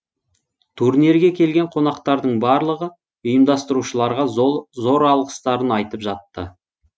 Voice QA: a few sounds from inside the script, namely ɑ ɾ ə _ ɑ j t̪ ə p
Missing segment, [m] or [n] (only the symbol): n